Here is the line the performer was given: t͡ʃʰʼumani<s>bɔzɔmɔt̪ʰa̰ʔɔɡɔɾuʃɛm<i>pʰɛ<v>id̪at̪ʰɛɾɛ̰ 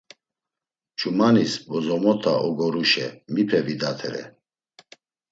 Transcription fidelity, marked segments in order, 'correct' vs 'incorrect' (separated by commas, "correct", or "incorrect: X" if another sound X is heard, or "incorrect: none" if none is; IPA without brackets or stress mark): correct, correct, correct